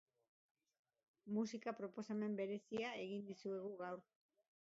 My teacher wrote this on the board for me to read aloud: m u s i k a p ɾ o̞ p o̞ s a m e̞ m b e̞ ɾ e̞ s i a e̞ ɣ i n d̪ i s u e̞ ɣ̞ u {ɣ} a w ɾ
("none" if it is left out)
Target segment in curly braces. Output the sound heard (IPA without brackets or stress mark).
ɣ